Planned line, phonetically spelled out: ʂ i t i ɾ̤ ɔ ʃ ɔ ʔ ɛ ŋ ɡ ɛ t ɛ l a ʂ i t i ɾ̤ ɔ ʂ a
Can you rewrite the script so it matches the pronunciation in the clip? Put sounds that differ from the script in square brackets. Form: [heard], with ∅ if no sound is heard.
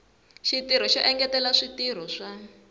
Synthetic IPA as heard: [ʃ] i t i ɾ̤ ɔ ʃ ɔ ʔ ɛ ŋ ɡ ɛ t ɛ l a ʂ i t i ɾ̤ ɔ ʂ a